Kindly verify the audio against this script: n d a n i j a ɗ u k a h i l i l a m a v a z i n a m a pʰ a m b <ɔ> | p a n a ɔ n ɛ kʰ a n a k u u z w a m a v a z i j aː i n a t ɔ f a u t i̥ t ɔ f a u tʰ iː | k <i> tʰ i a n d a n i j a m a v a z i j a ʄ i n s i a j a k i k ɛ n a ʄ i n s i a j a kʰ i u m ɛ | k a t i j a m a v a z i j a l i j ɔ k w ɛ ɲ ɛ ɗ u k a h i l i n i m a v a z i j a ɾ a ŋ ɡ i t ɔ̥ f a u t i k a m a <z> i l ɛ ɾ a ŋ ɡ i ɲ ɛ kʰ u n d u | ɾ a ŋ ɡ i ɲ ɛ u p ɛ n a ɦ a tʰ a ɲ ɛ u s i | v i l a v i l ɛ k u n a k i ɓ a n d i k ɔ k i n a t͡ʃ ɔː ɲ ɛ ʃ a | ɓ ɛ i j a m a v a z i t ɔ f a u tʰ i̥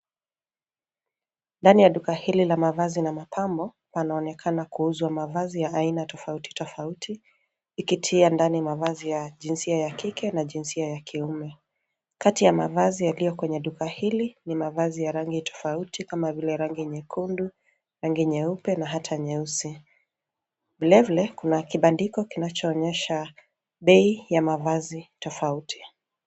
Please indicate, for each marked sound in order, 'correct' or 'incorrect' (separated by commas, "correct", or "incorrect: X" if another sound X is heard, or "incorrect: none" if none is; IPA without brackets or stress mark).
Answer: correct, correct, incorrect: v